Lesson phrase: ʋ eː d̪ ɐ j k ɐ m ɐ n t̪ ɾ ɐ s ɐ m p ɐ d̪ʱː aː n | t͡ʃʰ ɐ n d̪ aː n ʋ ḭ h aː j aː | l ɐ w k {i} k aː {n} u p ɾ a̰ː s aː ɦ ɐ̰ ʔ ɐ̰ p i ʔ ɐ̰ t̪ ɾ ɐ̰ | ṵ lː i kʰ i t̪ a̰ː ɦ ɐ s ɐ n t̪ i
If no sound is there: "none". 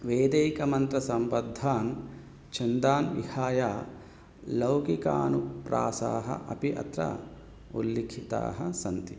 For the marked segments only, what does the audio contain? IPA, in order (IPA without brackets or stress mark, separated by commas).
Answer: i, n